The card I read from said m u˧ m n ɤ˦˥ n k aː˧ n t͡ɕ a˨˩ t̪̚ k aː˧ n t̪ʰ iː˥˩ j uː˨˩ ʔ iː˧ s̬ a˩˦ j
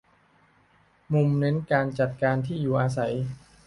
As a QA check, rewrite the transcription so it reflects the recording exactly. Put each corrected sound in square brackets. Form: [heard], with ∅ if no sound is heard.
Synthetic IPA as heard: m u˧ m n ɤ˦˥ n k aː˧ n t͡ɕ a˨˩ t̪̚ k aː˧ n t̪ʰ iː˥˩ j uː˨˩ ʔ [aː˧] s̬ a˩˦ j